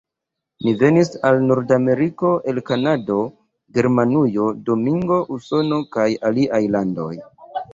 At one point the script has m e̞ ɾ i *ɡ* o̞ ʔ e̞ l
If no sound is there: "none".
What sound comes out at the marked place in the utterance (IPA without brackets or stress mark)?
k